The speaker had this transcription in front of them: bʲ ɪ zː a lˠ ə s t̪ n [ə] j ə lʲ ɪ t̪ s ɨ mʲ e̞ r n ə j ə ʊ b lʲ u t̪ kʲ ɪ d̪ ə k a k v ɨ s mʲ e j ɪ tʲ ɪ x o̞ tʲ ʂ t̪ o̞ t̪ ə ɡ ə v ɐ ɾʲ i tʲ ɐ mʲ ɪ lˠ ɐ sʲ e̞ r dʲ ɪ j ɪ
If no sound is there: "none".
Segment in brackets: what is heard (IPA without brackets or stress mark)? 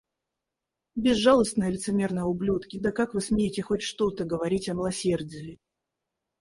ə